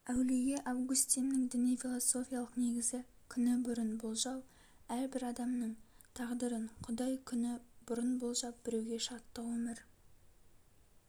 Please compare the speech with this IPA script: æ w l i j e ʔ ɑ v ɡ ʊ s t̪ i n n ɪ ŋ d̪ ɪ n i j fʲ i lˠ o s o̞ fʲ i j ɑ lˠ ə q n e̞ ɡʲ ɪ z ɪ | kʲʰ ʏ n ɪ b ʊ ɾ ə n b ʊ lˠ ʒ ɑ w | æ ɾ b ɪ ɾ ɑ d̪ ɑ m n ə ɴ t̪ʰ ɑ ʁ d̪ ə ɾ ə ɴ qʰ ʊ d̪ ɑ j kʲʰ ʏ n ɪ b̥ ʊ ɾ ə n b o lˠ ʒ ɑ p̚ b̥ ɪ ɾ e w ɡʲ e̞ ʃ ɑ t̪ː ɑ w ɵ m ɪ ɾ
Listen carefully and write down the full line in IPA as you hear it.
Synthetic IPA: æ w l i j e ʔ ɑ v ɡ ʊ s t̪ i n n ɪ ŋ d̪ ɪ n i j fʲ i lˠ o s o̞ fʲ i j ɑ lˠ ə q n e̞ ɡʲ ɪ z ɪ | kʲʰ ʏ n ɪ b ʊ ɾ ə n b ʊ lˠ ʒ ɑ w | æ ɾ b ɪ ɾ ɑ d̪ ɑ m n ə ɴ t̪ʰ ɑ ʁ d̪ ə ɾ ə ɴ qʰ ʊ d̪ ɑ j kʲʰ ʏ n ɪ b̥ ʊ ɾ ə n b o lˠ ʒ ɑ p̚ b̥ ɪ ɾ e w ɡʲ e̞ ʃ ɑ t̪ː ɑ w ɵ m ɪ ɾ